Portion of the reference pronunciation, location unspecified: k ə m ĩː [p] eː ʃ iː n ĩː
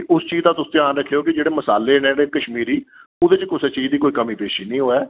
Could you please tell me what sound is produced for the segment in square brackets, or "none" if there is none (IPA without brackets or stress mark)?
p